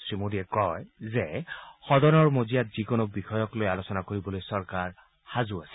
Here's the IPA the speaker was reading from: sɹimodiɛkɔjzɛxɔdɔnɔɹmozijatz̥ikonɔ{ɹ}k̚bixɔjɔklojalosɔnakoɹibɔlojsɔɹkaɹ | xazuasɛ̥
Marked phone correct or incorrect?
incorrect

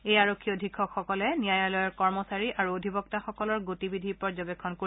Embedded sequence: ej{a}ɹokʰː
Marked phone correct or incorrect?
correct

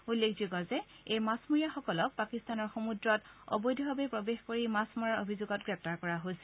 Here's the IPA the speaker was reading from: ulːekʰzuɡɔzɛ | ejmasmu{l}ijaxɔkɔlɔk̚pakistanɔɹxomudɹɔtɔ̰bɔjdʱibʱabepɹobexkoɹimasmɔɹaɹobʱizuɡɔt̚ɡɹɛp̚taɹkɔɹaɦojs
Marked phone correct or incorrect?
incorrect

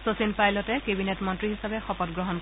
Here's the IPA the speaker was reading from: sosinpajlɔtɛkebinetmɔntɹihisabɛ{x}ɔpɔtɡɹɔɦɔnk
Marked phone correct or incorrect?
correct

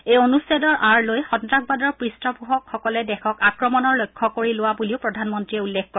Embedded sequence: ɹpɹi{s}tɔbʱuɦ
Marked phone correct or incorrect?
correct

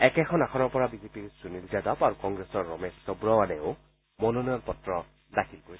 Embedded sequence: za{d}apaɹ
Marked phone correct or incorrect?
correct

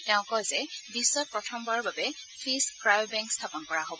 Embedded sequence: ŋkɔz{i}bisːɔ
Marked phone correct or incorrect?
incorrect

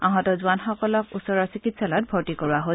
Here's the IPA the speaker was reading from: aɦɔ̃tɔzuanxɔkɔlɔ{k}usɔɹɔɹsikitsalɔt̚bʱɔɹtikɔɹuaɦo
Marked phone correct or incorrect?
correct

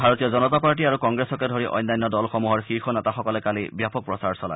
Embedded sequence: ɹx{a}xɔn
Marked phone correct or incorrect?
incorrect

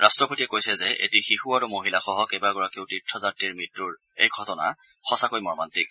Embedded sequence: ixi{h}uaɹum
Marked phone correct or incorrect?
incorrect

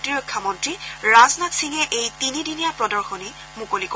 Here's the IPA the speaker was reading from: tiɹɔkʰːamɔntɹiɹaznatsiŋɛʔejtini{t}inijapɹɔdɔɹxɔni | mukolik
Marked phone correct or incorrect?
incorrect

